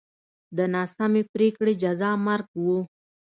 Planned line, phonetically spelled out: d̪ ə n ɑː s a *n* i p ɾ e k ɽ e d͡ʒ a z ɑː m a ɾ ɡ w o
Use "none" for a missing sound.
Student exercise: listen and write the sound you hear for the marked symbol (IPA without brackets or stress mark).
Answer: m